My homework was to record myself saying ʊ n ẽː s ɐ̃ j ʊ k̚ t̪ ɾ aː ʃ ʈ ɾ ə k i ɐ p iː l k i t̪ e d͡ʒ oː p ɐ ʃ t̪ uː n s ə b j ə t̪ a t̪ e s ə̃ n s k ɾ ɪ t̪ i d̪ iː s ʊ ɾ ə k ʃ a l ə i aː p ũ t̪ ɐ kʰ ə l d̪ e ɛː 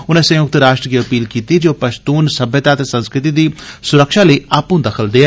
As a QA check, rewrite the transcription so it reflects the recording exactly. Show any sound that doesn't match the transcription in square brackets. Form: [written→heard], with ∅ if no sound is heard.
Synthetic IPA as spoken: ʊ n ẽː s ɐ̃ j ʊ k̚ t̪ ɾ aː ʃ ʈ ɾ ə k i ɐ p iː l k [i→iː] t̪ [e→i] d͡ʒ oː p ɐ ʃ t̪ uː n s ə b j ə t̪ a t̪ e s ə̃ n s k ɾ ɪ t̪ i d̪ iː s ʊ ɾ ə k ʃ a l ə i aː p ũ [t̪→d̪] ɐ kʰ ə l d̪ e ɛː